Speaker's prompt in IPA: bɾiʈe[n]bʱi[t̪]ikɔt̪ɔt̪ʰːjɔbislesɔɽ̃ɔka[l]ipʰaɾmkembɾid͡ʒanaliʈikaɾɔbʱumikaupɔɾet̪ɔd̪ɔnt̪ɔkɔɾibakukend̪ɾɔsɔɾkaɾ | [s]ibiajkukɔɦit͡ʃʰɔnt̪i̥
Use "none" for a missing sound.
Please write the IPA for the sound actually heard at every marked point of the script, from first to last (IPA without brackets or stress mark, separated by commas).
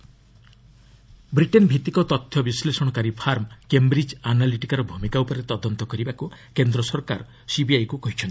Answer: n, t̪, ɾ, s